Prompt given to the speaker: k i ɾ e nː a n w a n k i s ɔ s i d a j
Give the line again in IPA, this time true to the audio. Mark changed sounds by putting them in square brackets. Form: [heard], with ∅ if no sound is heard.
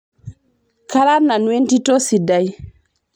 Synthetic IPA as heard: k [a] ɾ [a] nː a n w [e] n [t] i [t] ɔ s i d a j